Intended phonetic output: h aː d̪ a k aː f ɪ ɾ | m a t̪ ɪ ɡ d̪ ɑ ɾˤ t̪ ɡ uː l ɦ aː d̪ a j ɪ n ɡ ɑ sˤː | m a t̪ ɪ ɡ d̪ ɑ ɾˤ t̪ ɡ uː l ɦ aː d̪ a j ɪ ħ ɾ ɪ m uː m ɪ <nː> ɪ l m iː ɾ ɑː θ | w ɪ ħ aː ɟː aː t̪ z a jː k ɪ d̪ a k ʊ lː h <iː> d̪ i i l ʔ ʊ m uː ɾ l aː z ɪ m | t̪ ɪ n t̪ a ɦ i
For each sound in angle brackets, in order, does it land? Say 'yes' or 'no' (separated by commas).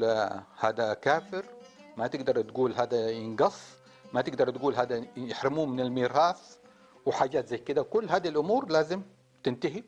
no, no